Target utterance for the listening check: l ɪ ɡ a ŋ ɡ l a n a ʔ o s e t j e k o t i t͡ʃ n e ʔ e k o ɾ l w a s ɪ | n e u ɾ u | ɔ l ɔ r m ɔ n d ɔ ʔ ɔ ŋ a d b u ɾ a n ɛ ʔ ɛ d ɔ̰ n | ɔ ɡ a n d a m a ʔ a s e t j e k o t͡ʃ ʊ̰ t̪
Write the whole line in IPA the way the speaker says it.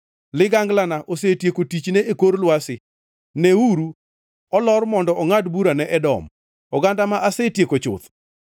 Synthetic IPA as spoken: l ɪ ɡ a ŋ ɡ l a n a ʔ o s e t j e k o t i t͡ʃ n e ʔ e k o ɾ l w a s ɪ | n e u ɾ u | ɔ l ɔ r m ɔ n d ɔ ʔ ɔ ŋ a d b u ɾ a n ɛ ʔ ɛ d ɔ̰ m | ɔ ɡ a n d a m a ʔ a s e t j e k o t͡ʃ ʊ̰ t̪